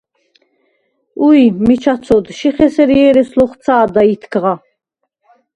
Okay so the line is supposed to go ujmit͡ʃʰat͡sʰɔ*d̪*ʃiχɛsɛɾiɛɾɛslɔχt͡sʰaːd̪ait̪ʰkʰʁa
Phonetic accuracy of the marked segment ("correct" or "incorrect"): correct